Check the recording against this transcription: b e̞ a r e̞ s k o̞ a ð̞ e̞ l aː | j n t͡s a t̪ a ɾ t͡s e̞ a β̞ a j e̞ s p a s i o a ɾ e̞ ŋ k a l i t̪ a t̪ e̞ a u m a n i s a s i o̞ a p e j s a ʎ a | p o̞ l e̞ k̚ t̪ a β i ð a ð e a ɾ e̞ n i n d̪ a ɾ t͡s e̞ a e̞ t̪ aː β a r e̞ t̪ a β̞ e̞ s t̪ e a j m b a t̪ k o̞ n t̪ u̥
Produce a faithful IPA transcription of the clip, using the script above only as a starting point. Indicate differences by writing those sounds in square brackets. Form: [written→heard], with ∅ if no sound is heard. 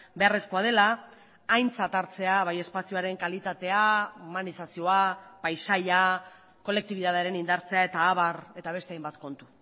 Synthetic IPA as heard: b e̞ a r e̞ s k o̞ a ð̞ e̞ l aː | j n t͡s a t̪ a ɾ t͡s e̞ a β̞ a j e̞ s p a s i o a ɾ e̞ ŋ k a l i t̪ a t̪ e̞ a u m a n i s a s i o̞ a p [e→a] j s a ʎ a | [p→k] o̞ l e̞ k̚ t̪ [a→i] β i ð a ð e a ɾ e̞ n i n d̪ a ɾ t͡s e̞ a e̞ t̪ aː β a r e̞ t̪ a β̞ e̞ s t̪ e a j m b a t̪ k o̞ n t̪ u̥